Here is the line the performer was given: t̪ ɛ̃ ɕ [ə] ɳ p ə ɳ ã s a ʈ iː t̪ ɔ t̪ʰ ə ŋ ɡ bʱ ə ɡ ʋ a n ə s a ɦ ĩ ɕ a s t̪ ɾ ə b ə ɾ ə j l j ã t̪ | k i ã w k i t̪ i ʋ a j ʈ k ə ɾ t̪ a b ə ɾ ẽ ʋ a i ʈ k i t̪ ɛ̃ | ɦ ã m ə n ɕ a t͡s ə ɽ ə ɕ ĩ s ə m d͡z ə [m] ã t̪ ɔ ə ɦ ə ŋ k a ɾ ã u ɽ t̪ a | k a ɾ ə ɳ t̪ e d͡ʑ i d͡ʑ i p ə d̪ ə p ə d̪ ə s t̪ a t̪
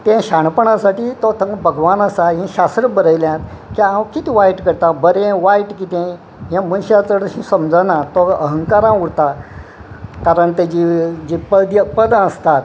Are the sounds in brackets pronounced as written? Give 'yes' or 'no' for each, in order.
no, no

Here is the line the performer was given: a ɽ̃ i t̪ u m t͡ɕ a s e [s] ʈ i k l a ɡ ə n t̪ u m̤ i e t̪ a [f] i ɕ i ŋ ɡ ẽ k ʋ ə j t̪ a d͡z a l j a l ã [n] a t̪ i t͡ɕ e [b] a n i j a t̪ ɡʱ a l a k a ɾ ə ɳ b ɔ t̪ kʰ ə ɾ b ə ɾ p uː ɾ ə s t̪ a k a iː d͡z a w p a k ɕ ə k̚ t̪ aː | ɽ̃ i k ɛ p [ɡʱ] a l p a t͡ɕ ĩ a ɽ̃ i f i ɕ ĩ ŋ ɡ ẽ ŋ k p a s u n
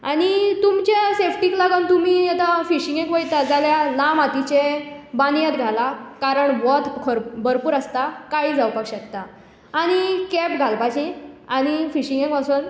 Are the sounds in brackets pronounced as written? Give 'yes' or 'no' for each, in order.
no, yes, no, yes, yes

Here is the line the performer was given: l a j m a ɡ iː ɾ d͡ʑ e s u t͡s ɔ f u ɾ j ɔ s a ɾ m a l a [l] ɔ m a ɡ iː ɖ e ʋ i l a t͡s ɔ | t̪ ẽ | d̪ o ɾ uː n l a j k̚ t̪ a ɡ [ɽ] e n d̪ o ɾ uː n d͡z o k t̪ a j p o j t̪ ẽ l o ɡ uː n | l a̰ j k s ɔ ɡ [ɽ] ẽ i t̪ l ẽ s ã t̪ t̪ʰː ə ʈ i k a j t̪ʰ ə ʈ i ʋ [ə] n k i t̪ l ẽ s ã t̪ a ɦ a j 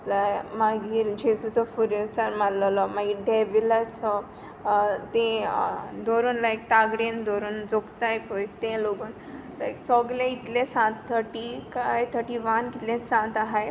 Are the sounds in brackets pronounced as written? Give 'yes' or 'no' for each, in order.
yes, yes, no, no

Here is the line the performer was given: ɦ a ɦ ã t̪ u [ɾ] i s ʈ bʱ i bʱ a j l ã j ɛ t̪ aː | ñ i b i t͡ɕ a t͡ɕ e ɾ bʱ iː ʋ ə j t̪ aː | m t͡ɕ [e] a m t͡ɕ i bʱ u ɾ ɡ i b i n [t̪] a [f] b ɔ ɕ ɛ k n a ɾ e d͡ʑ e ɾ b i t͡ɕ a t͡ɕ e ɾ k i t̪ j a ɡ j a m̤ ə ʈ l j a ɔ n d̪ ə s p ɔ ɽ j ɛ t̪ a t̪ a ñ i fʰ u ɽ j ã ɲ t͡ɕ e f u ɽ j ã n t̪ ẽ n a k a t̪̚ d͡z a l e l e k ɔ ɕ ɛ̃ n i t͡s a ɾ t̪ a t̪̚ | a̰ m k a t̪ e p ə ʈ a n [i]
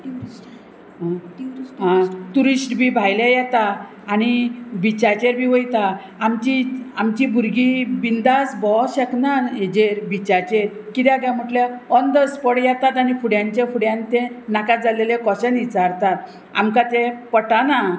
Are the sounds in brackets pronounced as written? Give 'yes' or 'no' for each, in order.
yes, no, no, no, no

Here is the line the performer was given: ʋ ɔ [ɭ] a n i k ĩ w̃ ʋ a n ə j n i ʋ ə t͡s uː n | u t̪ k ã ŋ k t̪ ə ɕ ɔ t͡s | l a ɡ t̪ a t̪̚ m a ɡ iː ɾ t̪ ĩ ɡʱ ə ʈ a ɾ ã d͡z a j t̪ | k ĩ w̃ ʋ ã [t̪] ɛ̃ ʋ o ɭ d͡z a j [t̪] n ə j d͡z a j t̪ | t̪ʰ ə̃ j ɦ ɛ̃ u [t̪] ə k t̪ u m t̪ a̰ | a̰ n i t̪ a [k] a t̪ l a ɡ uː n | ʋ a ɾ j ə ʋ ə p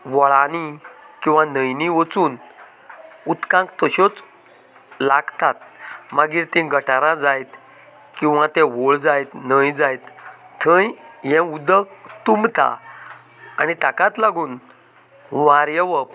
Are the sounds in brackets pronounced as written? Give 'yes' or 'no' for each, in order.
yes, yes, yes, no, yes

